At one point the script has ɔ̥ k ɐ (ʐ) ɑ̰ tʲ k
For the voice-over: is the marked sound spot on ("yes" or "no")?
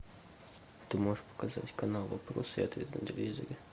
no